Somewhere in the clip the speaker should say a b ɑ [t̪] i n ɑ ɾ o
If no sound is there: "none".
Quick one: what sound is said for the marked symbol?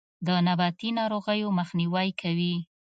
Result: t̪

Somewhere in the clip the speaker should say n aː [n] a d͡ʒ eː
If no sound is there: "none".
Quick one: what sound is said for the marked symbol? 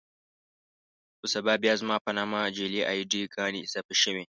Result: m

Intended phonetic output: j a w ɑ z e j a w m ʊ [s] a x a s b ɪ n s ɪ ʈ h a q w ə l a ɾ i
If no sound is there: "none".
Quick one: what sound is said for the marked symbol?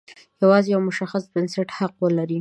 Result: ʃ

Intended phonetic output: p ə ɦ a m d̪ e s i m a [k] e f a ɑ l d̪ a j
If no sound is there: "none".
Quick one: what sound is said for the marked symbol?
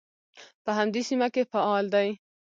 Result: k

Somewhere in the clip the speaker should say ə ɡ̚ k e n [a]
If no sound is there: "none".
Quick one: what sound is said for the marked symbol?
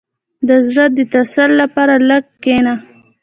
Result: a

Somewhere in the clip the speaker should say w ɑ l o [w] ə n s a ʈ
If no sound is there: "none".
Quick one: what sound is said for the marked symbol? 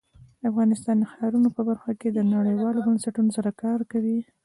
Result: b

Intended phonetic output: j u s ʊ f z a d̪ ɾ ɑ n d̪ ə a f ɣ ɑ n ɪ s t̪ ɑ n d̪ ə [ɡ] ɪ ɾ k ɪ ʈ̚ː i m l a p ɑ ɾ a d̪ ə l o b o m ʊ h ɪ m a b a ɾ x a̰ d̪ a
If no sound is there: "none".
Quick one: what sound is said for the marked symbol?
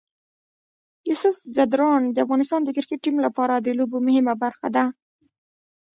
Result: k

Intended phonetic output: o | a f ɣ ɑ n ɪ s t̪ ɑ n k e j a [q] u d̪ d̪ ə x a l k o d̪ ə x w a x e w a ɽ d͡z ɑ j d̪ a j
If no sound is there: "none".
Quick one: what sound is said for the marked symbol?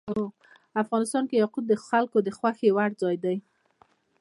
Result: q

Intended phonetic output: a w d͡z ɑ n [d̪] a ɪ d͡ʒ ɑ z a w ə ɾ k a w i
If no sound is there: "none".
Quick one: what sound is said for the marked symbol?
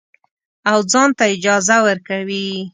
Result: t̪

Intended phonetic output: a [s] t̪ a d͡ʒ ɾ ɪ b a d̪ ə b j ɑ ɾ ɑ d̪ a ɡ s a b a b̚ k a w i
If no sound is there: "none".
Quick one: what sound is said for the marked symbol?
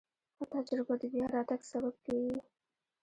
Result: none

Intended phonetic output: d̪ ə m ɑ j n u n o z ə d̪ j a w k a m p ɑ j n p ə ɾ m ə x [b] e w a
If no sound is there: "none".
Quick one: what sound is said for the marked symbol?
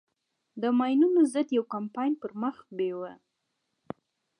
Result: b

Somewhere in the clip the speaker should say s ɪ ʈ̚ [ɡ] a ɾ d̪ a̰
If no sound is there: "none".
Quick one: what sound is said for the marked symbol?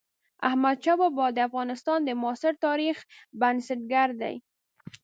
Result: ɡ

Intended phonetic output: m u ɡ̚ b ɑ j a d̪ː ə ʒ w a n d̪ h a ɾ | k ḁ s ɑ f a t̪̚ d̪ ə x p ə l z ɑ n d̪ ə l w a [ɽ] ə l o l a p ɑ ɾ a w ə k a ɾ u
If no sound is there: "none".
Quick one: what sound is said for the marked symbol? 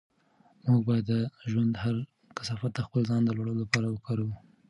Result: ɽ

